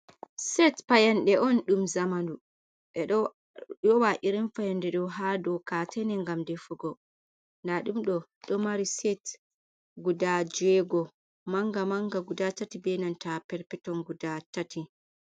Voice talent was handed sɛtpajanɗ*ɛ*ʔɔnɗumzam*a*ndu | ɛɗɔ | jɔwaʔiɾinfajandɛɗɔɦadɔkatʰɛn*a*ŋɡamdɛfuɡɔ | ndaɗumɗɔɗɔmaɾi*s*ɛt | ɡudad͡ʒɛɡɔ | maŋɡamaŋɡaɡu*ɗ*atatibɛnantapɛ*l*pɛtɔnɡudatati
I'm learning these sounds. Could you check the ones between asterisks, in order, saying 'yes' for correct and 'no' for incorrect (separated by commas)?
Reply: yes, yes, no, yes, no, no